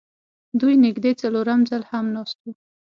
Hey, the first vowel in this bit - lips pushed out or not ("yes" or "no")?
yes